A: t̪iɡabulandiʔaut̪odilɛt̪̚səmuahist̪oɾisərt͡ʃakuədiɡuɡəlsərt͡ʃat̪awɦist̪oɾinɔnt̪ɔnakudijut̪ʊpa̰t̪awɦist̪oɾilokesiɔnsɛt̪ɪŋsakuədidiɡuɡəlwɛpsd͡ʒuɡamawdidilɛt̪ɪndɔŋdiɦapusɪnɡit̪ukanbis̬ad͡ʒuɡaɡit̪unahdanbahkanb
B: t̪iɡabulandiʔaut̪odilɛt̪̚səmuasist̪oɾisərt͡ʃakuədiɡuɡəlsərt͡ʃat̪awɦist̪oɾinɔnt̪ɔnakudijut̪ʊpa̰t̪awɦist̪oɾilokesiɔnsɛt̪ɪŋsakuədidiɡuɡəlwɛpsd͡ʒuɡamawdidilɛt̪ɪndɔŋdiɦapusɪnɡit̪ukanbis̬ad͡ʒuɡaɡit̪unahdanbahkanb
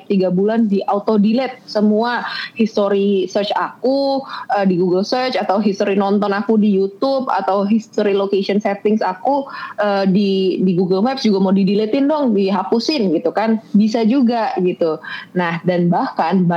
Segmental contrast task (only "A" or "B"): A